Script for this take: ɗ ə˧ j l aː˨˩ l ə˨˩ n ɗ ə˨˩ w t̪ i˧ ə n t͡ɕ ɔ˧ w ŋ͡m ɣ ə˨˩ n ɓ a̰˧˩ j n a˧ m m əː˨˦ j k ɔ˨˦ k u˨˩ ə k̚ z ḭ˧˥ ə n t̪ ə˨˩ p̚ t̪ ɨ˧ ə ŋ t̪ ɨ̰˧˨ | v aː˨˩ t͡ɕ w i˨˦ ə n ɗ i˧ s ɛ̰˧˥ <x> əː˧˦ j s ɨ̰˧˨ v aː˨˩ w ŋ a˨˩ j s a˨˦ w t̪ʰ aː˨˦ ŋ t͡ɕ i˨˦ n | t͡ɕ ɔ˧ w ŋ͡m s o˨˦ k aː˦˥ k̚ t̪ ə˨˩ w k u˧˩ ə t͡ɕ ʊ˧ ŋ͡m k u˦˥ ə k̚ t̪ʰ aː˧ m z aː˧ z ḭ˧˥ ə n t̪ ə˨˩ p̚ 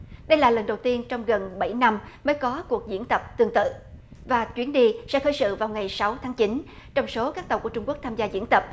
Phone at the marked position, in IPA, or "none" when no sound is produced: x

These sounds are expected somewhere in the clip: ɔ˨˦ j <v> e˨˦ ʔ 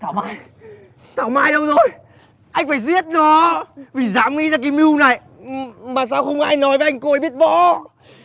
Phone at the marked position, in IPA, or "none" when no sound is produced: v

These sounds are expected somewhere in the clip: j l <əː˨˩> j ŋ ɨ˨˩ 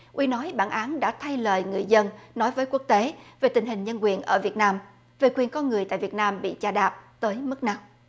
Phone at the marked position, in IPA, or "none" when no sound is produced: əː˨˩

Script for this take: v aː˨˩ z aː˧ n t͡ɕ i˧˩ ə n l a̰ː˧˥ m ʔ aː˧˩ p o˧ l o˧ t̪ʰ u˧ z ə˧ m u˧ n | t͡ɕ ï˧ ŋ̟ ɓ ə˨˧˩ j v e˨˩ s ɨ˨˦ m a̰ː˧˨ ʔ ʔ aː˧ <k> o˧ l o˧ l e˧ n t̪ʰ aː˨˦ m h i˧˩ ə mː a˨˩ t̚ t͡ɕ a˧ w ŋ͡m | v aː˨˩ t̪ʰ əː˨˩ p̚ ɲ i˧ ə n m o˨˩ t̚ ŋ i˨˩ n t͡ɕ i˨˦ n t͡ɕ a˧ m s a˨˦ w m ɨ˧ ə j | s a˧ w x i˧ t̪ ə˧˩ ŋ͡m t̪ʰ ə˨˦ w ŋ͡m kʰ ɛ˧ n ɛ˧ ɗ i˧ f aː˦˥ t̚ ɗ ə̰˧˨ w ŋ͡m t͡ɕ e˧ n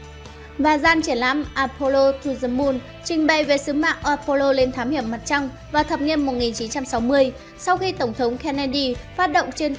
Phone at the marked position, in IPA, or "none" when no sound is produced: p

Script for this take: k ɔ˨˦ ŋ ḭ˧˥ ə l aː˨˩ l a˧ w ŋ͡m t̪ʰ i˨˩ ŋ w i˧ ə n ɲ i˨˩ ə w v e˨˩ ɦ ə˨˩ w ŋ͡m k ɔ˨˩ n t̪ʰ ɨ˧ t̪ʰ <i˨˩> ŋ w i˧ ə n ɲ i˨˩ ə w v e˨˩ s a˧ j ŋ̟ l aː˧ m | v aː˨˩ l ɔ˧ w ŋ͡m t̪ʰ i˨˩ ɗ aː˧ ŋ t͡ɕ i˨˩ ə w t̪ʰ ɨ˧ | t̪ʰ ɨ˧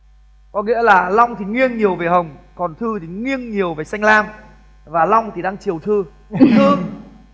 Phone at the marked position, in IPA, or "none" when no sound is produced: i˨˩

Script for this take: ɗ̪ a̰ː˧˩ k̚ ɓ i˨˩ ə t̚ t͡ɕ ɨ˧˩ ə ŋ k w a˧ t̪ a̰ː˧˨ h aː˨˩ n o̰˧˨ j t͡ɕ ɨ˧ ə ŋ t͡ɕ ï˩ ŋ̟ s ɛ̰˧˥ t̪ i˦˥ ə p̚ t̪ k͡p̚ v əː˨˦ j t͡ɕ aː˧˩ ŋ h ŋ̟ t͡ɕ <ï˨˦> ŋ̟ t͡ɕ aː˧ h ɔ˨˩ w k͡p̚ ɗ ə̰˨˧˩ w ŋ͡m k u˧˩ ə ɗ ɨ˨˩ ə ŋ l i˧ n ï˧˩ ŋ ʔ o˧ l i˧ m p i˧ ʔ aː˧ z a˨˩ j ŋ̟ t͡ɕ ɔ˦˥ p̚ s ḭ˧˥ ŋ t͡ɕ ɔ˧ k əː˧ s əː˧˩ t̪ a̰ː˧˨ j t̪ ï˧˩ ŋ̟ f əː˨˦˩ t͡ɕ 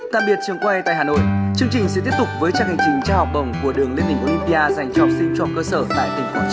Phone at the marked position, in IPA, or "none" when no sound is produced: ï˨˩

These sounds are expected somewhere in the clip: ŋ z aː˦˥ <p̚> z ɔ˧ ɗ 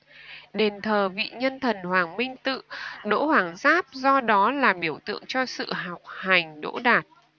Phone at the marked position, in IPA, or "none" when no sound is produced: p̚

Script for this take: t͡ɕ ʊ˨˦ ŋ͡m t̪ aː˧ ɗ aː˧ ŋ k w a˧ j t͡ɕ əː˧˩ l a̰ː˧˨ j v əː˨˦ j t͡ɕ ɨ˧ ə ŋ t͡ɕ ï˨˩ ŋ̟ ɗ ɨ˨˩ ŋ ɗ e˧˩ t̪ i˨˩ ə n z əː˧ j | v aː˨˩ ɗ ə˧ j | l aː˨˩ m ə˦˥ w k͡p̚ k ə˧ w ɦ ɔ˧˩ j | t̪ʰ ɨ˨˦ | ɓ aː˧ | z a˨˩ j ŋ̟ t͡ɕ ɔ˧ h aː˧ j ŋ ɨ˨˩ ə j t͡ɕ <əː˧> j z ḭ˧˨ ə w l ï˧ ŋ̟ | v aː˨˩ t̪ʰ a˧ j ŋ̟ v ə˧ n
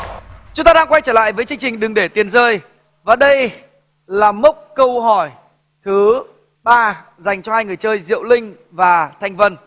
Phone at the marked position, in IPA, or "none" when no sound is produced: əː˧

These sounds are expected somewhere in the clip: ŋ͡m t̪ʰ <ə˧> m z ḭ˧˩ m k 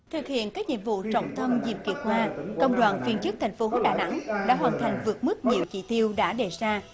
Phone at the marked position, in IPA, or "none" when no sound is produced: ə˧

